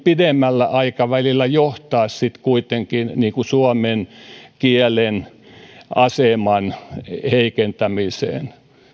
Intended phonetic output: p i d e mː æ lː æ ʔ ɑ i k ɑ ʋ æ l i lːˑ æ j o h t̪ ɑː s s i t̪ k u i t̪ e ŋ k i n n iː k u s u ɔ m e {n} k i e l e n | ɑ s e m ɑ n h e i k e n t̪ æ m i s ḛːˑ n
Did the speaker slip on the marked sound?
no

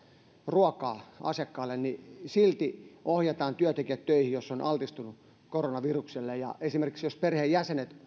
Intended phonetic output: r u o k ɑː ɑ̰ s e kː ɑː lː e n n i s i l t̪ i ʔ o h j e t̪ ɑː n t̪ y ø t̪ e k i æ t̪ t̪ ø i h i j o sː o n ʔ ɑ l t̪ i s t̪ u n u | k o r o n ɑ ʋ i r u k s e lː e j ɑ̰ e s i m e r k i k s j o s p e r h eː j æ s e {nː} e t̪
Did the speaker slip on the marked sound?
yes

